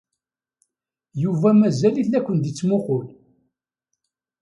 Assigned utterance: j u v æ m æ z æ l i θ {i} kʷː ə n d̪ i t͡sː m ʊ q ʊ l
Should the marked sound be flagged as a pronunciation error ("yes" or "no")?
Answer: yes